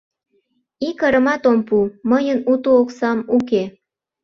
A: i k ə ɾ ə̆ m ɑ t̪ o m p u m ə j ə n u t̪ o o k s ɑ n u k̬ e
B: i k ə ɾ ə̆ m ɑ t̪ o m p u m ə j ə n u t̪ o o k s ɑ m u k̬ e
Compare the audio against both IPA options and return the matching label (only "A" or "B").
B